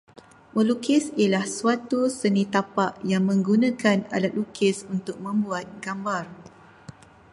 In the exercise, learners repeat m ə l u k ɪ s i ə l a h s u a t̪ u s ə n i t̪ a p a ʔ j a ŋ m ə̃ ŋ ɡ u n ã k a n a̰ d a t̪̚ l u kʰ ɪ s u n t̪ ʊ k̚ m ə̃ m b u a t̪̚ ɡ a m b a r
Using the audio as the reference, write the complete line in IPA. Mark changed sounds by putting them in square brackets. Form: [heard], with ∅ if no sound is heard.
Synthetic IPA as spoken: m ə l u k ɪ s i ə l a h s u a t̪ u s ə n i t̪ a p a ʔ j a ŋ m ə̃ ŋ ɡ u n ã k a n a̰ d a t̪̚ l u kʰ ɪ s u n t̪ ʊ k̚ m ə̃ m b u a t̪̚ ɡ a m b a r